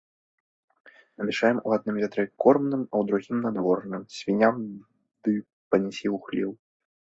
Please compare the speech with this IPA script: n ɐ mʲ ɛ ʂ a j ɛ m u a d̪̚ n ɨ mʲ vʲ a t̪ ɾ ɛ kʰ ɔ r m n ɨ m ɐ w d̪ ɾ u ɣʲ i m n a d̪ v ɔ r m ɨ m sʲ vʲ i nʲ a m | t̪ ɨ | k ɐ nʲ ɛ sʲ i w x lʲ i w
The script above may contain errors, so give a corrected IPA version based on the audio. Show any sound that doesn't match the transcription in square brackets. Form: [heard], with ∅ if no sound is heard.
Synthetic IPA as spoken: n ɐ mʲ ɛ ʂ a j ɛ m u a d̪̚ n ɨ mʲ vʲ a t̪ ɾ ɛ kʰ ɔ r m n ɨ m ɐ w d̪ ɾ u ɣʲ i m n a d̪ v ɔ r [n] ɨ m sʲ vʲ i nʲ a m | [d̪] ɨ | [p] ɐ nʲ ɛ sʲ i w x lʲ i w